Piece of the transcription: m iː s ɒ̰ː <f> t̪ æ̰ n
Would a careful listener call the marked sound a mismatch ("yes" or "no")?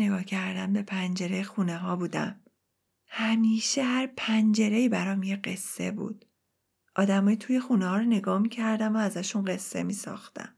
yes